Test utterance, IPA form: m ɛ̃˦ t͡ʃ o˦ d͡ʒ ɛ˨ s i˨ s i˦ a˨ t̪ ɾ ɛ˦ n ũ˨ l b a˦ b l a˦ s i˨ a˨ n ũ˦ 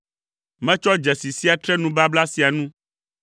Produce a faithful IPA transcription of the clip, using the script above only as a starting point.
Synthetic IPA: m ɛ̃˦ t͡ʃ ɔ˦ d͡ʒ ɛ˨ s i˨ s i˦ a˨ t̪ ɾ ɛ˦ n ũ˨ b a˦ b l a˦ s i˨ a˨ n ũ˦

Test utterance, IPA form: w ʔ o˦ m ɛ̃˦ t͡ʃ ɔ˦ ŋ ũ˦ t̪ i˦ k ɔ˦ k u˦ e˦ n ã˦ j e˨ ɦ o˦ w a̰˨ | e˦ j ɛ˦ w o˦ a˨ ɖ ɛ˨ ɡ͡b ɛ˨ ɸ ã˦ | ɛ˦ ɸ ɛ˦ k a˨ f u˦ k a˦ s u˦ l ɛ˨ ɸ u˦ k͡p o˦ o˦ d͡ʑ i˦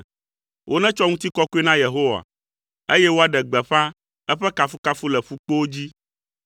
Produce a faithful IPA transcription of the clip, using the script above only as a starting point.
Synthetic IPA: w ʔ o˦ n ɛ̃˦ t͡ʃ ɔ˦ ŋ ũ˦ t̪ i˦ k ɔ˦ k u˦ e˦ n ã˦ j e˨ ɦ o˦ w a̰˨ | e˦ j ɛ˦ w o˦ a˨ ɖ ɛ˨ ɡ͡b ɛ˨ ɸ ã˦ | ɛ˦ ɸ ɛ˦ k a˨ f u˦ k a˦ f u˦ l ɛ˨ ɸ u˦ k͡p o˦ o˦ d͡ʑ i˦

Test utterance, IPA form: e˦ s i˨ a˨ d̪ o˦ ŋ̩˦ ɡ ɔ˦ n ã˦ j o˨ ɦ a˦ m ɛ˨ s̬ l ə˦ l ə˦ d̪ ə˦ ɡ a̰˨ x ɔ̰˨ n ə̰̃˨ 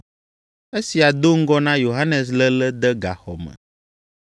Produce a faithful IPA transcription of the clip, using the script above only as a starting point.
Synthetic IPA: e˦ s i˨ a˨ d̪ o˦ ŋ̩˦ ɡ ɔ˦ n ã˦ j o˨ ɦ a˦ n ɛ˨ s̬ l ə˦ l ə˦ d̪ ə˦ ɡ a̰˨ x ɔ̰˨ m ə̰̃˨

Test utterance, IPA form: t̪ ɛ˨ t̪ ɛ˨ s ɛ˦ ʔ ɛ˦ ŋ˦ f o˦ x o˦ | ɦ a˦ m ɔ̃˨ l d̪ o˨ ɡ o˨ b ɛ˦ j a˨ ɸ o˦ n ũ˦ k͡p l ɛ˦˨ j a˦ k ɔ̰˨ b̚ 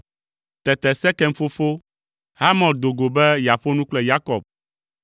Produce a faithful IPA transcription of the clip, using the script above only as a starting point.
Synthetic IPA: t̪ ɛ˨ t̪ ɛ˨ s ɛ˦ k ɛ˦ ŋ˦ f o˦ f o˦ | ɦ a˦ m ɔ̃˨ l d̪ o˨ ɡ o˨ b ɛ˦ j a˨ ɸ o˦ n ũ˦ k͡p l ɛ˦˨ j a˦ k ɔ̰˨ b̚

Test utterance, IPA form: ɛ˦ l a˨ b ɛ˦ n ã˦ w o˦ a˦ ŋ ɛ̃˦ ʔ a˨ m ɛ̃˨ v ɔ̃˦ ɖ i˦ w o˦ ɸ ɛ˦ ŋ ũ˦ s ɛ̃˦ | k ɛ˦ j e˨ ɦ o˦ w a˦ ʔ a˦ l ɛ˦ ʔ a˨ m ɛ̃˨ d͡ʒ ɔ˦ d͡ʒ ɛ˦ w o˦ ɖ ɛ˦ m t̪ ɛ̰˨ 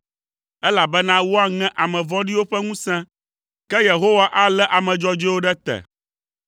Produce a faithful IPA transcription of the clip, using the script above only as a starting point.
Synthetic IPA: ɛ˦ l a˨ b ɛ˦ n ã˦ w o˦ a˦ ŋ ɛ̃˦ ʔ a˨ m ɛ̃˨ v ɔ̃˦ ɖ i˦ w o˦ ɸ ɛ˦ ŋ ũ˦ s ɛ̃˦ | k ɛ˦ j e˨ ɦ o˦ w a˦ ʔ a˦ l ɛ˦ ʔ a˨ m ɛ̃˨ d͡ʒ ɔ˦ d͡ʒ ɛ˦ w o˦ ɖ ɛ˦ t̪ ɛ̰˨

